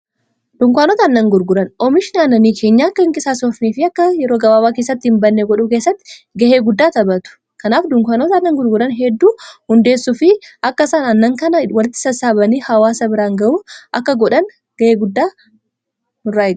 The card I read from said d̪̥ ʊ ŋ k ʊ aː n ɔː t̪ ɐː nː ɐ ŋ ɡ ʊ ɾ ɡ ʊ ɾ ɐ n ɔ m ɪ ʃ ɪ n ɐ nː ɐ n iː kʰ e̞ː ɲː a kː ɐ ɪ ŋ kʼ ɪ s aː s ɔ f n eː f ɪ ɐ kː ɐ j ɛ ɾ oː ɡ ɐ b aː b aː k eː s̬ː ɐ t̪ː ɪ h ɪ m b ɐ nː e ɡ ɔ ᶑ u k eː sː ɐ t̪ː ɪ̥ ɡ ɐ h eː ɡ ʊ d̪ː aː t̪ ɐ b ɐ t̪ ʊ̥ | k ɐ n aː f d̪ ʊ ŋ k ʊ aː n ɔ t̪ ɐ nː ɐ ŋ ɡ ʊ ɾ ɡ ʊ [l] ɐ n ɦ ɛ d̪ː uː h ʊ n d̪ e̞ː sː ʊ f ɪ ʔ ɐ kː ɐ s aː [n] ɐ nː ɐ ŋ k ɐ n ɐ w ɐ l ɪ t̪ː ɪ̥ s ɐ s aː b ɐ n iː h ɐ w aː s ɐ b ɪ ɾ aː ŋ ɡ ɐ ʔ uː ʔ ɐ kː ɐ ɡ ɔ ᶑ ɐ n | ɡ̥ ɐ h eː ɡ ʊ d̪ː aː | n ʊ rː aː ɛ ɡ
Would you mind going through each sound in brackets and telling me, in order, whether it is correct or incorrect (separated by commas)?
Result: incorrect, correct